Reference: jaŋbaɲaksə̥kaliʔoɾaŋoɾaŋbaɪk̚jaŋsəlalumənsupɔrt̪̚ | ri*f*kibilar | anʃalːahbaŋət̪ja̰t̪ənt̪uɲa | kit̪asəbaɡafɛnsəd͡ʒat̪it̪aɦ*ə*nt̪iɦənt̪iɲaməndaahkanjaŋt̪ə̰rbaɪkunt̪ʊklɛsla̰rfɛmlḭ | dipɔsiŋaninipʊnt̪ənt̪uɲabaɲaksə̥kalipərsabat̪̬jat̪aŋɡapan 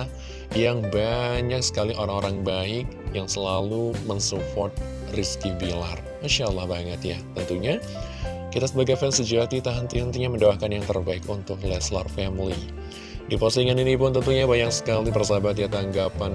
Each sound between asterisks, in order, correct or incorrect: incorrect: s, correct

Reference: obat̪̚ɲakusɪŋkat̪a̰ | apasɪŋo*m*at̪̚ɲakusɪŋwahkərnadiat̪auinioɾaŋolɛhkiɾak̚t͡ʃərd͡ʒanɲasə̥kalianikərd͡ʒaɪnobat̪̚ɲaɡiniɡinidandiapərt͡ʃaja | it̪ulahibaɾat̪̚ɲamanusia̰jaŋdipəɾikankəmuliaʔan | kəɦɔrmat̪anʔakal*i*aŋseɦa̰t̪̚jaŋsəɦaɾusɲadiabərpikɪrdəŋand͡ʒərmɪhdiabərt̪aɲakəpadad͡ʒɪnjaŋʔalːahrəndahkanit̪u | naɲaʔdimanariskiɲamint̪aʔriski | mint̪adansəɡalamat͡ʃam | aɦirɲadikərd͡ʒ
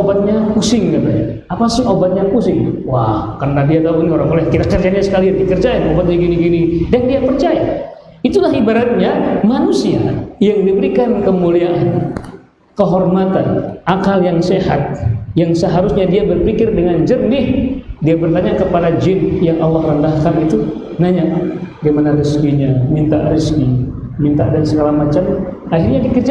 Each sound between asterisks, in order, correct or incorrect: incorrect: b, incorrect: j

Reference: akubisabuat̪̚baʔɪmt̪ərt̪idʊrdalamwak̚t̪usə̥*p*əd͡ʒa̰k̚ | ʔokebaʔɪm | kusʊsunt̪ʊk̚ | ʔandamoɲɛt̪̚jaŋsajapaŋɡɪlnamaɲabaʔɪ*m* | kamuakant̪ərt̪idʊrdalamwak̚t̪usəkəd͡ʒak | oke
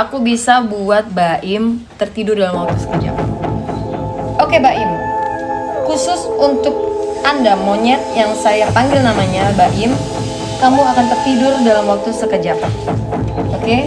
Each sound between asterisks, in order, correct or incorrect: incorrect: k, correct

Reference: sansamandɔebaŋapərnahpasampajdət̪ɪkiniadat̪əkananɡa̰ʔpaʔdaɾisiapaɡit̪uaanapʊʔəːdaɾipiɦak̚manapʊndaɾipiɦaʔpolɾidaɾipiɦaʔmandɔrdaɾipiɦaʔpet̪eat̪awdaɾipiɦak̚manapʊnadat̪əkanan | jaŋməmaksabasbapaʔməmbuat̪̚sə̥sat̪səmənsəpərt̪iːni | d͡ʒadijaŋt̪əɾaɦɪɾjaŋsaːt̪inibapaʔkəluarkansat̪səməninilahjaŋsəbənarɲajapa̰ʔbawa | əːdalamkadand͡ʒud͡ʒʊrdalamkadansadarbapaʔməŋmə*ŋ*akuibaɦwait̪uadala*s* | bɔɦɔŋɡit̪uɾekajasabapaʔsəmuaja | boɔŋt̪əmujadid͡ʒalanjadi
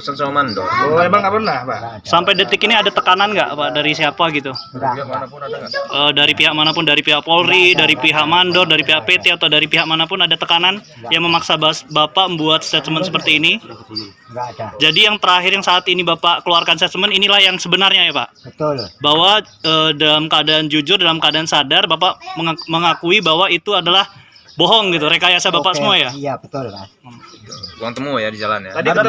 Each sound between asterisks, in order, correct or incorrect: correct, incorrect: h

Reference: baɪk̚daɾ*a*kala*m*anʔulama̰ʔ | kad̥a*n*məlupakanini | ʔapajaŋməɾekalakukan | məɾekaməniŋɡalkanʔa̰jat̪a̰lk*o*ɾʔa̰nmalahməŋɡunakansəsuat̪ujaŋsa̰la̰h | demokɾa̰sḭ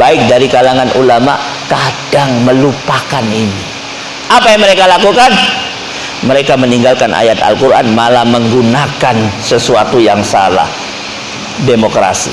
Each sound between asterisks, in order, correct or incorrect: incorrect: i, incorrect: ŋ, incorrect: ŋ, incorrect: u

